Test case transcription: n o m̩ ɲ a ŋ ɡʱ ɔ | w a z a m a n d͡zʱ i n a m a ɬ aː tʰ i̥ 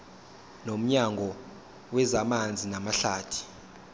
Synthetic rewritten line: n o m̩ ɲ a ŋ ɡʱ ɔ | w ɛ z a m a n d͡zʱ i n a m a ɬ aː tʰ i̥